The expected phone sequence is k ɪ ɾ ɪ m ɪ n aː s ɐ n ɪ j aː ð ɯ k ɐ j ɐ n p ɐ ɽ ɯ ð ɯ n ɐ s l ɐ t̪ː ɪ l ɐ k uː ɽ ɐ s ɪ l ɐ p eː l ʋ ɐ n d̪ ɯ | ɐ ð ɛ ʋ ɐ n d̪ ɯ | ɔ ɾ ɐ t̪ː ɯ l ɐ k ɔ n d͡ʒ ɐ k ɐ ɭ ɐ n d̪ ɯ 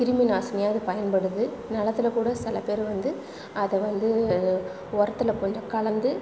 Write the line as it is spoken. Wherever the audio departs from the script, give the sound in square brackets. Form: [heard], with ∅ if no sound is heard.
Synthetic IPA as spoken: k ɪ ɾ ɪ m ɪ n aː s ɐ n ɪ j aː ð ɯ [p] ɐ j ɐ n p ɐ ɽ ɯ ð ɯ n ɐ [∅] l ɐ t̪ː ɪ l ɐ k uː ɽ ɐ s ɪ l ɐ p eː [ɾ] ʋ ɐ n d̪ ɯ | ɐ ð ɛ ʋ ɐ n d̪ ɯ | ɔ ɾ ɐ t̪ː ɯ l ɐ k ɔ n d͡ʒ ɐ k ɐ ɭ ɐ n d̪ ɯ

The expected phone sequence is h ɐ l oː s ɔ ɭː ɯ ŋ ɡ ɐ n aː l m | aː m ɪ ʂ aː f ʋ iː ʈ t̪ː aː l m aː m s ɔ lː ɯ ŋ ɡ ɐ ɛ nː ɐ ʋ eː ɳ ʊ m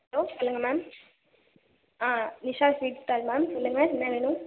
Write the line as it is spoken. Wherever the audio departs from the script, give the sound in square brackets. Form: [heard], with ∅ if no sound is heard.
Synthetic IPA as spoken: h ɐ l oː s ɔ [lː] ɯ ŋ ɡ ɐ [m] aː [∅] m | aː [n] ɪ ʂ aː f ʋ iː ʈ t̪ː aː l m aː m s ɔ lː ɯ ŋ ɡ ɐ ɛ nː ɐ ʋ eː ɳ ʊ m

